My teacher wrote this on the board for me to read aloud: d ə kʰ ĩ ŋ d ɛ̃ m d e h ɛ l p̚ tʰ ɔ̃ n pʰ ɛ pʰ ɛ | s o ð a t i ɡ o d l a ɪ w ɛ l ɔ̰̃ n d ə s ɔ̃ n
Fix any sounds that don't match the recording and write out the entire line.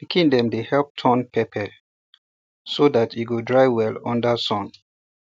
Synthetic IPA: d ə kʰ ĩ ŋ d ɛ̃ m d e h ɛ l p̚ tʰ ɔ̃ n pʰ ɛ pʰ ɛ | s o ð a t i ɡ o d ɹ a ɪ w ɛ l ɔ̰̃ n d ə s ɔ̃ n